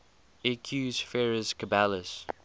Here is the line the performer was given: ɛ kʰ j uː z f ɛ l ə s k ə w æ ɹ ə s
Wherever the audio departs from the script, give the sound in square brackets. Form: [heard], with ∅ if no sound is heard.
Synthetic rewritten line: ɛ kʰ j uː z f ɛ [ɹ] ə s k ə [b] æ [l] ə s